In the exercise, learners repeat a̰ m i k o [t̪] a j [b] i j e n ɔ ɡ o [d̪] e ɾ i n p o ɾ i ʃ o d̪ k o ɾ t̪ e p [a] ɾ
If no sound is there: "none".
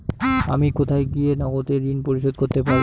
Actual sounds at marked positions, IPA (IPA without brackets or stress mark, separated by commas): t̪ʰ, ɡ, t̪, a